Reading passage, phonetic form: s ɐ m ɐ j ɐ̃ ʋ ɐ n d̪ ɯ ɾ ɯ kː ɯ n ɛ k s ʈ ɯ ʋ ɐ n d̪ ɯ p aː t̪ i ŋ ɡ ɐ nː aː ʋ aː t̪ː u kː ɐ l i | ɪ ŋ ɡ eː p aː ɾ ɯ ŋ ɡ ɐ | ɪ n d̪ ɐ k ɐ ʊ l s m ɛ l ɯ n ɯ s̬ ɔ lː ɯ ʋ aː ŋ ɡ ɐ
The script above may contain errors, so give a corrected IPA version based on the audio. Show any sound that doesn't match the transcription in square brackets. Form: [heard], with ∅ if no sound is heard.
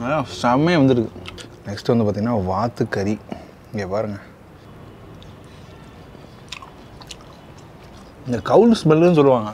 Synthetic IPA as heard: s ɐ m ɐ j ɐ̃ ʋ ɐ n d̪ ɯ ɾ ɯ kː ɯ n ɛ k s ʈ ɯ ʋ ɐ n d̪ ɯ p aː t̪ i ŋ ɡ ɐ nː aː ʋ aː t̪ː [ɯ] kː ɐ [ɾ] i | ɪ ŋ ɡ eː p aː ɾ ɯ ŋ ɡ ɐ | ɪ n d̪ ɐ k ɐ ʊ l s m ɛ l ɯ n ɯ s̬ ɔ lː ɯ ʋ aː ŋ ɡ ɐ